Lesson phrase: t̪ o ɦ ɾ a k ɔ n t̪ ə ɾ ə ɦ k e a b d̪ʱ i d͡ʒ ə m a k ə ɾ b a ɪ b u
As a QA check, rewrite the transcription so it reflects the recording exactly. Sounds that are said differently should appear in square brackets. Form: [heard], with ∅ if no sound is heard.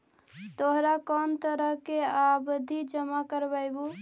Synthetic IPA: t̪ o ɦ ɾ a k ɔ n t̪ ə ɾ ə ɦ k e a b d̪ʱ i d͡ʒ ə m a k ə ɾ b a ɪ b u